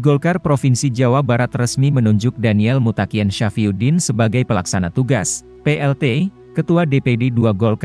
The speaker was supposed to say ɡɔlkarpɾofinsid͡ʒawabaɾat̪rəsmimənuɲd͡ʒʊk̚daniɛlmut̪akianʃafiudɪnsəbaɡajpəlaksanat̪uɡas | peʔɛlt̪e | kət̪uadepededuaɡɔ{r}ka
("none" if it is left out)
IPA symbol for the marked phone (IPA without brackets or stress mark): l